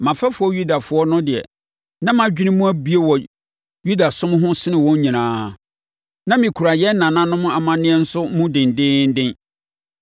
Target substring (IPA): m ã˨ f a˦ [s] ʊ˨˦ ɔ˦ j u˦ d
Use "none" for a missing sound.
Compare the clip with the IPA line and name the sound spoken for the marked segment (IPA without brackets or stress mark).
f